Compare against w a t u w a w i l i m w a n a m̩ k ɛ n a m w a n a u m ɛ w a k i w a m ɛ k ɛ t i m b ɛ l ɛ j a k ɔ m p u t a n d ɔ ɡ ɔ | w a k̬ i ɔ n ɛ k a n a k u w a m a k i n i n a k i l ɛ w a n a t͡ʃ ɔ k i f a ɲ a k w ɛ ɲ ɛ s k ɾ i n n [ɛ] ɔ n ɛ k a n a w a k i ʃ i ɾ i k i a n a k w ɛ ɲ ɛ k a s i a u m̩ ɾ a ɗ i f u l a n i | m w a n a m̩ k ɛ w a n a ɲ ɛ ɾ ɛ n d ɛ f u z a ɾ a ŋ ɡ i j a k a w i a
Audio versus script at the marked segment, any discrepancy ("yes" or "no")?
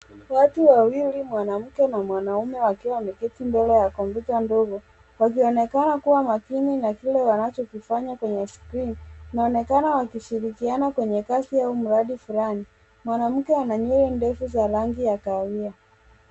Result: yes